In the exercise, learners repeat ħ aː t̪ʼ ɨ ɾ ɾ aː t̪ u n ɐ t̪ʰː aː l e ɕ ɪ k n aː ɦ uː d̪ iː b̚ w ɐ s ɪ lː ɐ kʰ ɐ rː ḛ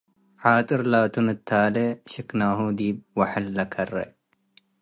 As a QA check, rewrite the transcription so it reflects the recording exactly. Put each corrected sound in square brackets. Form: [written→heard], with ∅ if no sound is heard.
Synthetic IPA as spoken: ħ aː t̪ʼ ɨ ɾ [ɾ→l] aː t̪ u n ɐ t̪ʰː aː l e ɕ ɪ k n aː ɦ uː d̪ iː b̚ w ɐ [s→ħ] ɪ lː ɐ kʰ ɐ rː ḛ